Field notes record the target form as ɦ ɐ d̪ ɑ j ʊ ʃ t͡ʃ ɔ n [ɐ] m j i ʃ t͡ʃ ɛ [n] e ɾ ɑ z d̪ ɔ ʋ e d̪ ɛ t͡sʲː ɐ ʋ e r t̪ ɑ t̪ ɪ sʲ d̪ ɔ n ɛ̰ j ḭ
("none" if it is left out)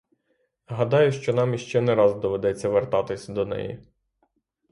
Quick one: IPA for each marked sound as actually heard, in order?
ɑ, n

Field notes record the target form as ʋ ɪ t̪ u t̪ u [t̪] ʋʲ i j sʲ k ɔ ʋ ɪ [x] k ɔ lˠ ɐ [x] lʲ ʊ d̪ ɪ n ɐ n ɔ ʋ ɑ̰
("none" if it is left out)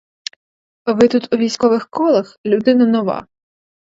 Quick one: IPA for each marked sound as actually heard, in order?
none, x, x

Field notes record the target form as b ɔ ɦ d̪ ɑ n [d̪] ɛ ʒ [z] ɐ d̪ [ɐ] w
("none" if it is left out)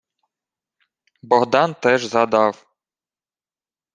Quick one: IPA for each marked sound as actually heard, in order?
t̪, z, ɑ

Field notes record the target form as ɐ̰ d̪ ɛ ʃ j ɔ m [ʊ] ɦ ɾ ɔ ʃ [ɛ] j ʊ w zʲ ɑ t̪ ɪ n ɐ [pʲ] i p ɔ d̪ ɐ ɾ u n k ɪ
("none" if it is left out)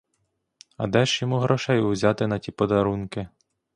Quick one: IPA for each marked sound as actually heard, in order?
u, ɛ, tʲ

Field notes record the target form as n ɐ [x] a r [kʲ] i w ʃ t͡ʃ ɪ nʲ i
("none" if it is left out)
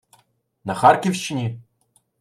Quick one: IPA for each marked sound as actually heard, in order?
x, kʲ

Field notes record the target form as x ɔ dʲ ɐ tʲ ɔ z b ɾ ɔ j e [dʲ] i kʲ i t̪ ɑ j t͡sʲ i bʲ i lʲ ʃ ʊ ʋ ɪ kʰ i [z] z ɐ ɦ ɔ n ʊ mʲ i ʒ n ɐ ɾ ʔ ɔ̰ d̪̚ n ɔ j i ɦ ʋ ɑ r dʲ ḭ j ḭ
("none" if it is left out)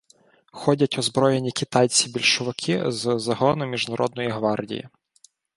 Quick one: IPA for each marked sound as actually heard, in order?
nʲ, z

